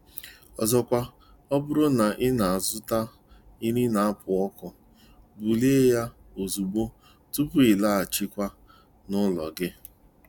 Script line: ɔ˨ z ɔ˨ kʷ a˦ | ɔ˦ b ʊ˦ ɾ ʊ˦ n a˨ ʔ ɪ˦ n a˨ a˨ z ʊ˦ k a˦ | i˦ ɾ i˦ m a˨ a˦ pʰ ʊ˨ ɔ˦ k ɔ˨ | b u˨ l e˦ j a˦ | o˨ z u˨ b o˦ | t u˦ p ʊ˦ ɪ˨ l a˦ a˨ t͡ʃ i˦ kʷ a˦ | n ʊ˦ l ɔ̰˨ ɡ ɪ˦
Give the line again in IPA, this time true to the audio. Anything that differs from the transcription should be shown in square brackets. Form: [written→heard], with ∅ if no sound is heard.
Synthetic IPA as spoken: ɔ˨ z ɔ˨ kʷ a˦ | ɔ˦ b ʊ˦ ɾ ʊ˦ n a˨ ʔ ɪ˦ n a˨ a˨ z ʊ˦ [k→t] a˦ | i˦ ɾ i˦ [m→n] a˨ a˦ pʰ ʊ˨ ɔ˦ k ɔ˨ | b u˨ l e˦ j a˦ | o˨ z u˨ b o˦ | t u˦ p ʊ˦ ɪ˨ l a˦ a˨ t͡ʃ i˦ kʷ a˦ | n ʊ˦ l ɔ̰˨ ɡ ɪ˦